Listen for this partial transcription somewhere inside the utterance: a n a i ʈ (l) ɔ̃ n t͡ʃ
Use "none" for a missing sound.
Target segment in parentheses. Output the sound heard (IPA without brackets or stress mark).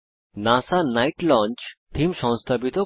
l